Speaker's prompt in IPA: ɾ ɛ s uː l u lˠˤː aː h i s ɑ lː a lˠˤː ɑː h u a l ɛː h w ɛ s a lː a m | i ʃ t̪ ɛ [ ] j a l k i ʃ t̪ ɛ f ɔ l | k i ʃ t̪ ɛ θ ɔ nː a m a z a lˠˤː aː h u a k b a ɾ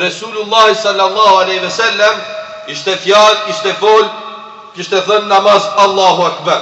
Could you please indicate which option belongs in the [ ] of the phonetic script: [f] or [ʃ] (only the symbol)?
f